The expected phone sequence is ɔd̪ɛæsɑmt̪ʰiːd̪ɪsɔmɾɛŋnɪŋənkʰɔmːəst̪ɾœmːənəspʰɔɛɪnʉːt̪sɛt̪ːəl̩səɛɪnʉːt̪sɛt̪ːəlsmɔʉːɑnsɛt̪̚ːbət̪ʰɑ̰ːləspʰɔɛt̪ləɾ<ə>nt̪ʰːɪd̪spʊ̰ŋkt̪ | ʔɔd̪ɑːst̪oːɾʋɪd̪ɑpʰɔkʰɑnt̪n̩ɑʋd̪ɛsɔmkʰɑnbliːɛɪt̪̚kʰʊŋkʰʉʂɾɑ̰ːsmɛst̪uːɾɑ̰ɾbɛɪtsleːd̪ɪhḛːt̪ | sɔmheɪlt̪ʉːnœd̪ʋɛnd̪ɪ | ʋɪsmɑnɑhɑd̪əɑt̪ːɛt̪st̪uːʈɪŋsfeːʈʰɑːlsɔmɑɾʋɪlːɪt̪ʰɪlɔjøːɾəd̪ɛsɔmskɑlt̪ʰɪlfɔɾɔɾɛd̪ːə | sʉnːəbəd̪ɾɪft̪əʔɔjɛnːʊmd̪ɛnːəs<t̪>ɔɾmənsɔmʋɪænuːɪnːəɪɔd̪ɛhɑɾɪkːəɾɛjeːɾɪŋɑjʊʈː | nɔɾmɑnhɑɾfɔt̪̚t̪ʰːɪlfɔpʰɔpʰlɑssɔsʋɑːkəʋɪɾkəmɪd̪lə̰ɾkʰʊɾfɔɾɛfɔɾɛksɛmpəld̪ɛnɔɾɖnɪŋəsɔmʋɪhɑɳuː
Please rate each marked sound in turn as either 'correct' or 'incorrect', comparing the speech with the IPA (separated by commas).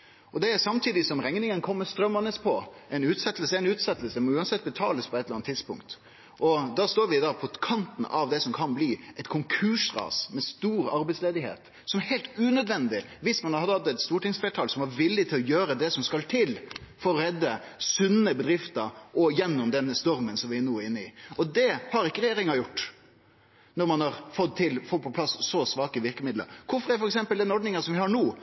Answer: incorrect, correct